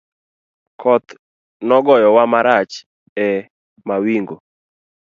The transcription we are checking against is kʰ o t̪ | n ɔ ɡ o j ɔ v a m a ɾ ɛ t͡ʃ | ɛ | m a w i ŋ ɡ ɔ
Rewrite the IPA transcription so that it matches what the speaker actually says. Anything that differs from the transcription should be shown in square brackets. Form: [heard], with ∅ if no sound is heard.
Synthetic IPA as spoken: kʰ [ɔ] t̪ | n ɔ ɡ [ɔ] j ɔ [w] a m a ɾ [a] t͡ʃ | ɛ | m a w i ŋ ɡ [o]

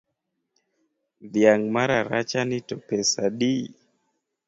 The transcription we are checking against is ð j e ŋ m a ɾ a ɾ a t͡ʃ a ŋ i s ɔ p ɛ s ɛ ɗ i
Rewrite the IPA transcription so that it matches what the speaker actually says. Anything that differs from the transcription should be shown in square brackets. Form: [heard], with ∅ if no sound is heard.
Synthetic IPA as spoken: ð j [a] ŋ m a ɾ a ɾ a t͡ʃ a [n] i [t] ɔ p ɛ s [a] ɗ i

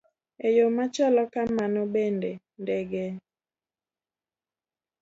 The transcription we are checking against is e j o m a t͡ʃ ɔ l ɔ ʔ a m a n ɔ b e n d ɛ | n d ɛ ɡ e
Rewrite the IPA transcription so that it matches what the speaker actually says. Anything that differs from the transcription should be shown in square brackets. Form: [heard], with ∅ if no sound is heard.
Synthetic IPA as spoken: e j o m a t͡ʃ ɔ l ɔ [k] a m a n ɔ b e n d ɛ | n d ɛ ɡ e

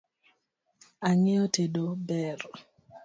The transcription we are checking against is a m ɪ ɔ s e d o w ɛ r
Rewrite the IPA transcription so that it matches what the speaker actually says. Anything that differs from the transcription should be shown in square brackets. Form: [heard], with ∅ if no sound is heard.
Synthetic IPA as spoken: a [ŋ] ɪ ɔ [t] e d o [b] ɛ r

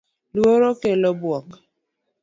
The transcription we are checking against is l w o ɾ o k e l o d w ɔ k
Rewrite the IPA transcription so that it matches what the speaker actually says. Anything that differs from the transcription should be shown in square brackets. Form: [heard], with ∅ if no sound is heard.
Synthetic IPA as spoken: l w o ɾ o k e l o [b] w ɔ k

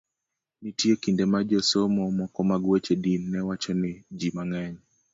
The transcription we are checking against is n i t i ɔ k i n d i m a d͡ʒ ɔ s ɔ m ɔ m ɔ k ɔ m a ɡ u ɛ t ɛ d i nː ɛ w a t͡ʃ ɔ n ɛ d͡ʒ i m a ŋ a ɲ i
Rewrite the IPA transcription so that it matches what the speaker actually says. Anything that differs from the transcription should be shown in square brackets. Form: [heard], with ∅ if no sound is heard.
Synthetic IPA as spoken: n i t i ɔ k i n d [ɛ] m a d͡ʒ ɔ s ɔ m ɔ m ɔ k ɔ m a ɡ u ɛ [t͡ʃ] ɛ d i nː ɛ w a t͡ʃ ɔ n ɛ d͡ʒ i m a ŋ a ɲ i

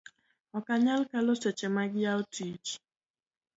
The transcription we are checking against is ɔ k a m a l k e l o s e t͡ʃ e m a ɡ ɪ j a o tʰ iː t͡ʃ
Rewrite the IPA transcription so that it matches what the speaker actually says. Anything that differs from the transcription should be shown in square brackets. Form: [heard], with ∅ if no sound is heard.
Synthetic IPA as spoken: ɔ k a [ɲ] a l k [a] l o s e t͡ʃ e m a ɡ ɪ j a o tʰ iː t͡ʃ

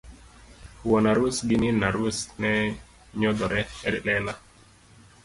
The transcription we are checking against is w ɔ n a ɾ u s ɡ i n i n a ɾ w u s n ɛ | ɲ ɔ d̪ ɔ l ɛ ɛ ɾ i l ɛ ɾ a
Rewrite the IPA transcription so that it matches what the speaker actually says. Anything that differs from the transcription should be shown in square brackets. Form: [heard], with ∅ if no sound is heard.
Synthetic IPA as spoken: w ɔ n a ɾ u s ɡ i n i n a ɾ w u s n ɛ | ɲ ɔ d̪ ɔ [ɾ] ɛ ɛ ɾ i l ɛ [l] a

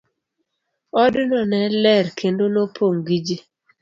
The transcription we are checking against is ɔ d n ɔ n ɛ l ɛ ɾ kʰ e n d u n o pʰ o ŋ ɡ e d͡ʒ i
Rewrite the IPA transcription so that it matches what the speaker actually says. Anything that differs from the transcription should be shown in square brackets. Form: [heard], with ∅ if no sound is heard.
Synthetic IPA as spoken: ɔ d n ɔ n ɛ l ɛ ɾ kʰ e n d [o] n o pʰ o ŋ ɡ [i] d͡ʒ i

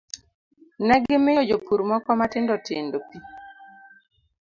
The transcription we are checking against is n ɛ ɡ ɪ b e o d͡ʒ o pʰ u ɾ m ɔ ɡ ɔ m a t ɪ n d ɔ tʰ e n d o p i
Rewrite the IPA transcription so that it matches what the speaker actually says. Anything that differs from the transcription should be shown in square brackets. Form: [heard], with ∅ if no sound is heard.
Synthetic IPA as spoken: n ɛ ɡ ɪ [m] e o d͡ʒ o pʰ u ɾ m ɔ [k] ɔ m a t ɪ n d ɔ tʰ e n d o p i

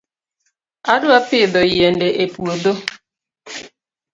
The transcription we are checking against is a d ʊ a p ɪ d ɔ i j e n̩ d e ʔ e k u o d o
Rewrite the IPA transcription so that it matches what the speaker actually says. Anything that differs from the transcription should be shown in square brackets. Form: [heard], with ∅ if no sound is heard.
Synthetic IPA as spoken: a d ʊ a p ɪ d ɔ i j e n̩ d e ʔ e [p] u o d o

